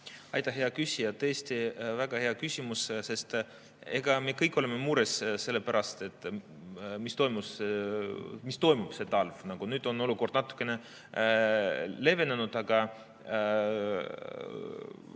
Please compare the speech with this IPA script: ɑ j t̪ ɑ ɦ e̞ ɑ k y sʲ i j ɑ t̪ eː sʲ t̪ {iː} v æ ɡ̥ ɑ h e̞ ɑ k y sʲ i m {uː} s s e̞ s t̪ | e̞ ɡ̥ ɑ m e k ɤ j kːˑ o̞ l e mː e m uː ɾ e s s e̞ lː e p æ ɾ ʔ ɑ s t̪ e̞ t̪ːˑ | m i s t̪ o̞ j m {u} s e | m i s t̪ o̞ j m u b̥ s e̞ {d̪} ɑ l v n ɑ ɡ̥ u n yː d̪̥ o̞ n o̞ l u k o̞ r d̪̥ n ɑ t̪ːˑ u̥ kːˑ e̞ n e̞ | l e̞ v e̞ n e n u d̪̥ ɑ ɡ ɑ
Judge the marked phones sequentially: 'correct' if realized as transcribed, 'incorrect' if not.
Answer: incorrect, incorrect, correct, incorrect

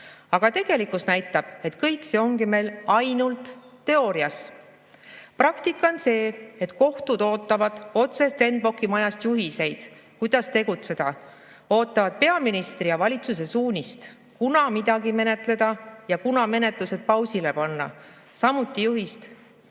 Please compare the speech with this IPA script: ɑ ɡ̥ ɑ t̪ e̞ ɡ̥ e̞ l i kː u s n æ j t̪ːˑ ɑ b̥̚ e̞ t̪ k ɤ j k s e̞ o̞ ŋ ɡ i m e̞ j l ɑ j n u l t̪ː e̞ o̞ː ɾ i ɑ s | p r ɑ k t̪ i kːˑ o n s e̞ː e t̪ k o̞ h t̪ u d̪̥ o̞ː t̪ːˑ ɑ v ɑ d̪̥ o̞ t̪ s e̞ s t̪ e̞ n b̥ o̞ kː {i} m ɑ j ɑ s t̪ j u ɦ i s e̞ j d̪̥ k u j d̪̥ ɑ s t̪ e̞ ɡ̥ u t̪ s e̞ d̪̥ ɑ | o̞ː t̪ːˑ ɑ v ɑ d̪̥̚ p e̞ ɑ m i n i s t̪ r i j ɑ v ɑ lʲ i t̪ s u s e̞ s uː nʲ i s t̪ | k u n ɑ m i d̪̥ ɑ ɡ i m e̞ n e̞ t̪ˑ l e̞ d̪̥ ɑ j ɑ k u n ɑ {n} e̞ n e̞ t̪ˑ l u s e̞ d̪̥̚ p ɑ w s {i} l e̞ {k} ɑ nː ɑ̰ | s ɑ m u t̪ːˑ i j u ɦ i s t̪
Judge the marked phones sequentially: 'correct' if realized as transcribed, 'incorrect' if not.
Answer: correct, incorrect, correct, incorrect

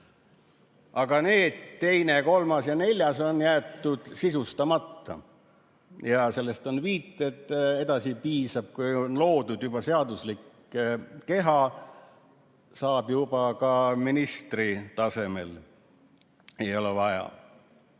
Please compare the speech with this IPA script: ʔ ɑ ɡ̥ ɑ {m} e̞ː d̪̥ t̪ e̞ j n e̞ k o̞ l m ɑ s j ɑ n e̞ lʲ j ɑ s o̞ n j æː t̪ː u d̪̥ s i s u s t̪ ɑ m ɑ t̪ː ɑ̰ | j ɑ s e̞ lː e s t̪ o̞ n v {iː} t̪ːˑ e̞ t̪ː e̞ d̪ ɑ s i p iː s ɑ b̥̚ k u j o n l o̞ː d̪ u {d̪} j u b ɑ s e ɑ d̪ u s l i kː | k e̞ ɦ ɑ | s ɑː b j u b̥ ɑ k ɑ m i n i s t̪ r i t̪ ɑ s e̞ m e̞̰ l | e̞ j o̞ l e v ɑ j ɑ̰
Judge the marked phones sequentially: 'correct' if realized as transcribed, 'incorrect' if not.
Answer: incorrect, correct, correct

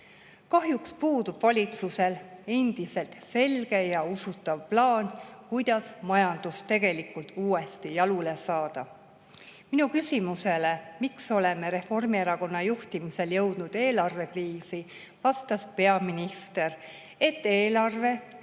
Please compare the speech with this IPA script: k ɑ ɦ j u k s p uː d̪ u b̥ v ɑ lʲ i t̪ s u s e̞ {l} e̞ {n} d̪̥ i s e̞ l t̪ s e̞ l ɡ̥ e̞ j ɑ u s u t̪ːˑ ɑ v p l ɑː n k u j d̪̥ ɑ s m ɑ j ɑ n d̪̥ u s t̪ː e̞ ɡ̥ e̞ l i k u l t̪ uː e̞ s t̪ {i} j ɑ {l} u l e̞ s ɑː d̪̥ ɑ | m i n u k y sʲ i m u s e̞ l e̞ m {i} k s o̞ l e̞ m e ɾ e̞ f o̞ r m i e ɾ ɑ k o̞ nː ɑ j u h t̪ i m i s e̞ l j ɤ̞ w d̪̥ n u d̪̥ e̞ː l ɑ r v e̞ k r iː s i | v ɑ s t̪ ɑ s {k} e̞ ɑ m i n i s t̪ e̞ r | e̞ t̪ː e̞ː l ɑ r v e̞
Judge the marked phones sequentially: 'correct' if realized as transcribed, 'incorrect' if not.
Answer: correct, correct, correct, correct, correct, incorrect

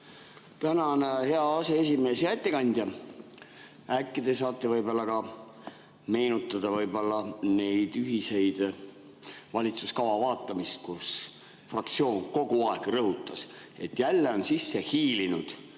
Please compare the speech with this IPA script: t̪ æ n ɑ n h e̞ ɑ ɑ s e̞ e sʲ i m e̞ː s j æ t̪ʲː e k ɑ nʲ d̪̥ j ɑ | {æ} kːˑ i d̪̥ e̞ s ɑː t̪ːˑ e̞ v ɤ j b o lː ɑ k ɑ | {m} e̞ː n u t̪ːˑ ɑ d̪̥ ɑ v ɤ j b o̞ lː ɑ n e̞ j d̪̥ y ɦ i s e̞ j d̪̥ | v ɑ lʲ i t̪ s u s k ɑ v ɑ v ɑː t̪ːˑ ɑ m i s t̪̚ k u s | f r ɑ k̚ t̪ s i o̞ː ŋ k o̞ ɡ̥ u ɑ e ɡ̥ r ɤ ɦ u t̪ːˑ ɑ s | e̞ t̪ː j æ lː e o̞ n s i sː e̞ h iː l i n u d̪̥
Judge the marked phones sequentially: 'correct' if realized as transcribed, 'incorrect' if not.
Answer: correct, correct

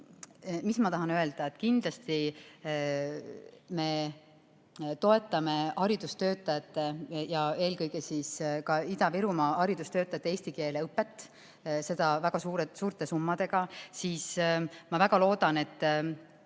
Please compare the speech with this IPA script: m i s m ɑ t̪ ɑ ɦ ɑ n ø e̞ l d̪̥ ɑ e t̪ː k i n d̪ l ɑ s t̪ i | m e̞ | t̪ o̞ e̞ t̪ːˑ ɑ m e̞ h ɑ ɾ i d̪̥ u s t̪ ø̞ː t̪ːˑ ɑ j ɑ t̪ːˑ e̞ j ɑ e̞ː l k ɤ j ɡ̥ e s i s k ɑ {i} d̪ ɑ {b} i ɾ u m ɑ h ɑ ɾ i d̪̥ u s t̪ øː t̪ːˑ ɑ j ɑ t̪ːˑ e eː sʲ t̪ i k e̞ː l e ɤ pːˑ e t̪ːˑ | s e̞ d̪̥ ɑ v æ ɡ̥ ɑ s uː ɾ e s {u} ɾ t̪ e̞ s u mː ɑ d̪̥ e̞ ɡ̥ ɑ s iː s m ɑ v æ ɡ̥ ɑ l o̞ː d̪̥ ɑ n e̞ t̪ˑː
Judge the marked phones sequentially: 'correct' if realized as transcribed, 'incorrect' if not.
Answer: correct, incorrect, incorrect

